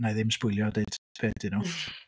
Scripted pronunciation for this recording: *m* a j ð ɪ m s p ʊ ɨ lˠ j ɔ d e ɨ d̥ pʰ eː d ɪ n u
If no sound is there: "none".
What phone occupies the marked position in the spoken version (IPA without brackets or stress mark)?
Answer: n